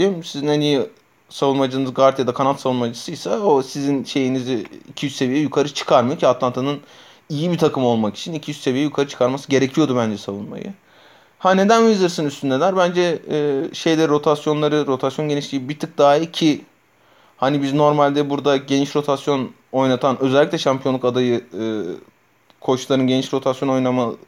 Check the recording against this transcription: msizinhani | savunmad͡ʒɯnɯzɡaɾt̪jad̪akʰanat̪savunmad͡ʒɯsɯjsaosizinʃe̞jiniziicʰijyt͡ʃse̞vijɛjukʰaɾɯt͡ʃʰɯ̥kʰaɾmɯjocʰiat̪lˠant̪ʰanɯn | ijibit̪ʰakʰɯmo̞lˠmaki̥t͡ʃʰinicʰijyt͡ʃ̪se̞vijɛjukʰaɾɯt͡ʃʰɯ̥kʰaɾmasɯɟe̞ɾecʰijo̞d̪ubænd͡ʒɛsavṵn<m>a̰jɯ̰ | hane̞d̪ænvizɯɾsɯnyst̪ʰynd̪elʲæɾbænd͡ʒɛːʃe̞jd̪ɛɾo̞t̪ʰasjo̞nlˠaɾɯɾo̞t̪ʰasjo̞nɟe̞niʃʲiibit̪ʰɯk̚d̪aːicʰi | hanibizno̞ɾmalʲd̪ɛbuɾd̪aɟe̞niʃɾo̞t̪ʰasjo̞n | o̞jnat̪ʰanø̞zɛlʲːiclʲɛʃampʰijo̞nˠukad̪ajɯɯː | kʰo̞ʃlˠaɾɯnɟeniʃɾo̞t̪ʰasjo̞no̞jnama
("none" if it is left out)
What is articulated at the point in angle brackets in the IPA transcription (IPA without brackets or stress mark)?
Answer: m